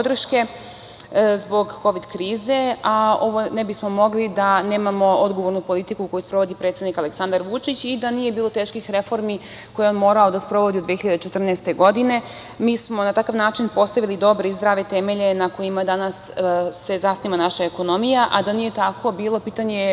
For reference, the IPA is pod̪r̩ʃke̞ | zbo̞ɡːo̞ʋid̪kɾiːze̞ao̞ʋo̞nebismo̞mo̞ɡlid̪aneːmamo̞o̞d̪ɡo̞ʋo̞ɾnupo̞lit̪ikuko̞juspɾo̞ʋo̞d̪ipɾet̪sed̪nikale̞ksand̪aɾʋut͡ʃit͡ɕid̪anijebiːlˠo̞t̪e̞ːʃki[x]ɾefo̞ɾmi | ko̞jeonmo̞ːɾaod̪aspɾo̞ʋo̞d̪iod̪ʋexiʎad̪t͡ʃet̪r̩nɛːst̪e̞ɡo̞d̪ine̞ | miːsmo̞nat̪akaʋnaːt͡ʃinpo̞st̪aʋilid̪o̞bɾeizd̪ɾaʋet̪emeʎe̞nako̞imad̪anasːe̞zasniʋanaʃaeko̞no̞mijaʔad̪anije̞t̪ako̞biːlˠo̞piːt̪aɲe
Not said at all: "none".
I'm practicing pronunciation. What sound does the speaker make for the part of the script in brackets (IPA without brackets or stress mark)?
x